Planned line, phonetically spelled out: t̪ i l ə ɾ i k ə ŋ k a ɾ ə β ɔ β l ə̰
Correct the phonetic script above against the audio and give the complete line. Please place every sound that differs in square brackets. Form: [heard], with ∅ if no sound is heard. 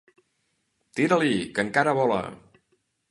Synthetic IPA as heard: t̪ i [ɾ] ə [l] i k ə ŋ k a ɾ ə β ɔ [∅] l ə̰